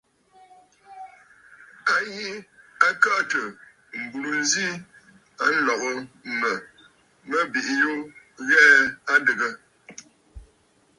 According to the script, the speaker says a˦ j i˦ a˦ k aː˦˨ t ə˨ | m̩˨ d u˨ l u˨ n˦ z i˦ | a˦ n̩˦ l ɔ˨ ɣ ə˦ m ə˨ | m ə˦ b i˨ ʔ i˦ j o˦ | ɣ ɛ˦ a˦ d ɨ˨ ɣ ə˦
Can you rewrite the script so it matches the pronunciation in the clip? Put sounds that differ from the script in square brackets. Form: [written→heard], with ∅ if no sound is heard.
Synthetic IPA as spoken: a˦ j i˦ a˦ k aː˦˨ t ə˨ | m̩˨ [d→b] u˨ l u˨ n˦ z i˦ | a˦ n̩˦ l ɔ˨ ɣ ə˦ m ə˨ | m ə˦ b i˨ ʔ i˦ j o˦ | ɣ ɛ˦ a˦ d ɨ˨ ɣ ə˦

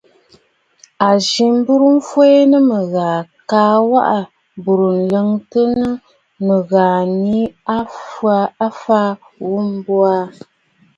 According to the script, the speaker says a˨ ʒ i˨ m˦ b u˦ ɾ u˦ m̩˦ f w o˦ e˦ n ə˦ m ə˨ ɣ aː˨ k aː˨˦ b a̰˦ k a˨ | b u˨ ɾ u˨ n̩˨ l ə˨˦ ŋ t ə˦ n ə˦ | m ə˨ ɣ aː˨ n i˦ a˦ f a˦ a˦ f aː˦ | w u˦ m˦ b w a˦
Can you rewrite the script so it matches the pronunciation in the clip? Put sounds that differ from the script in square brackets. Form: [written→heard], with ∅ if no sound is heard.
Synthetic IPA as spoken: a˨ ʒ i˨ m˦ b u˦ ɾ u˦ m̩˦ f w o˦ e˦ n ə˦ m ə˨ ɣ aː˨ k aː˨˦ [b→w] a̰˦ [k→ʔ] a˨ | b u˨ ɾ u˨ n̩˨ l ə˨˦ ŋ t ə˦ n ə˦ | m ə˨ ɣ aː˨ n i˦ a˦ f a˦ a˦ f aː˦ | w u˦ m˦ b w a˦

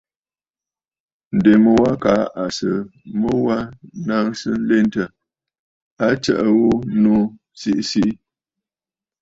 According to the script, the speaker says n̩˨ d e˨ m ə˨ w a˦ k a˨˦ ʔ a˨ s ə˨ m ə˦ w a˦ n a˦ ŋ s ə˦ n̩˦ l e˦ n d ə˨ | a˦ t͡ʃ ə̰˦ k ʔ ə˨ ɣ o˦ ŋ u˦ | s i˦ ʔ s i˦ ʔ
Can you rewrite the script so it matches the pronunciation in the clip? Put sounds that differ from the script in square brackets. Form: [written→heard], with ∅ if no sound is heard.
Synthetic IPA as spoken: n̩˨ d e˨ m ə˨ w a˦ k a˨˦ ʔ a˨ s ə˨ m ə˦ w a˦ n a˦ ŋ s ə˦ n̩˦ l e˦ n [d→t] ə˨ | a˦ t͡ʃ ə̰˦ [k→∅] ʔ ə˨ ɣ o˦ [ŋ→n] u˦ | s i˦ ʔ s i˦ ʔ

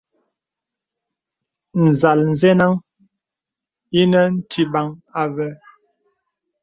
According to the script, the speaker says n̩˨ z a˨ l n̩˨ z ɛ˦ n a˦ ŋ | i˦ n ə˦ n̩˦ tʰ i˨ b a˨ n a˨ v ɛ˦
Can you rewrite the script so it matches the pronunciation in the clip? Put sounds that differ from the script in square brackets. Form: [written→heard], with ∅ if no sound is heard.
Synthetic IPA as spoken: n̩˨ z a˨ l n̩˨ z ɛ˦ n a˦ ŋ | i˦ n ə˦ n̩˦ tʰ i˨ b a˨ [n→ŋ] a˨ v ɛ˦

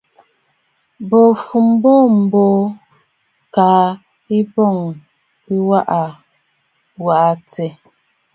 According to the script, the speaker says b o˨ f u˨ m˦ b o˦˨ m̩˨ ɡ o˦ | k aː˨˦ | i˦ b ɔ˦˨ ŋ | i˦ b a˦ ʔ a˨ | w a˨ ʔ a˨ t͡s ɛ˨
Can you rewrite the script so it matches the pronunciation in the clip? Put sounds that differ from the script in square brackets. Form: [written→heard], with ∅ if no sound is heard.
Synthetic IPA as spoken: b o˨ f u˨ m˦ b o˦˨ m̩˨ [ɡ→b] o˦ | k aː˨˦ | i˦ b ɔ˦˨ ŋ | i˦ [b→w] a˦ ʔ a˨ | w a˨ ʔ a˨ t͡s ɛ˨

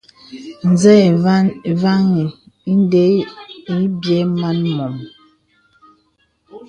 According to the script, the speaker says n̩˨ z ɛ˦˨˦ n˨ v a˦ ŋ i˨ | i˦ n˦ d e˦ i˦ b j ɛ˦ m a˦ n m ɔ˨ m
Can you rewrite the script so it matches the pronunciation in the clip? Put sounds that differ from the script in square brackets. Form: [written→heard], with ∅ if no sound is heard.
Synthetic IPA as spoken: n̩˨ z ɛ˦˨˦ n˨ v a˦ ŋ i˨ | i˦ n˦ d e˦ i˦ b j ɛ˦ m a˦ n m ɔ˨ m

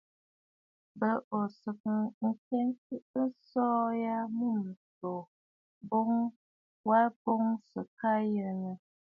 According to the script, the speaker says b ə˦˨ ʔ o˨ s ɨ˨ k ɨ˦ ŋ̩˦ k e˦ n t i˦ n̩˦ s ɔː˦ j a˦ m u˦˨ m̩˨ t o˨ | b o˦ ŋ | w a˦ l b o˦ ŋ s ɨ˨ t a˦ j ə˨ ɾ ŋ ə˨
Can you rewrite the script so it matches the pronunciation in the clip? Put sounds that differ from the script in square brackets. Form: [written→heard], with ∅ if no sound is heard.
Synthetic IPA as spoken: b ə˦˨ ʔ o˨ s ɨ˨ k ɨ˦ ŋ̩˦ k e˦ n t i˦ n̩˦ s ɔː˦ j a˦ m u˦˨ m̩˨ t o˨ | b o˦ ŋ | w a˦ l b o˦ ŋ s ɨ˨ [t→k] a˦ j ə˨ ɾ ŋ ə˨

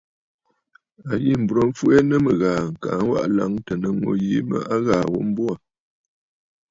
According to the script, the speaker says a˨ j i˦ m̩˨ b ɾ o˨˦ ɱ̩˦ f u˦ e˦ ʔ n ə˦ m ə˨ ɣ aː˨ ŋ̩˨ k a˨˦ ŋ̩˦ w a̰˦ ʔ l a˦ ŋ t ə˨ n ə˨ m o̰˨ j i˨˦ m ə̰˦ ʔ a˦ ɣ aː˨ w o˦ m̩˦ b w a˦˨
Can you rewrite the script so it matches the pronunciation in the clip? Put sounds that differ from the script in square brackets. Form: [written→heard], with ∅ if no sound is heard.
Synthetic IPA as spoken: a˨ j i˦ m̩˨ b ɾ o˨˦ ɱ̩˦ f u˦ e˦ [ʔ→∅] n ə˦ m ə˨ ɣ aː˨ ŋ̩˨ k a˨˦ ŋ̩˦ w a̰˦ ʔ l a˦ ŋ t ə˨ n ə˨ [m→ŋ] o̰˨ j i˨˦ m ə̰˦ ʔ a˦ ɣ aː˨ w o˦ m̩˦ b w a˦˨

